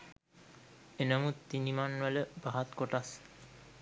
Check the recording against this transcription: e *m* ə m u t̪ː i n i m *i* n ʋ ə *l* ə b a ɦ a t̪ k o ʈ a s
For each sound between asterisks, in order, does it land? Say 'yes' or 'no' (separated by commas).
no, no, yes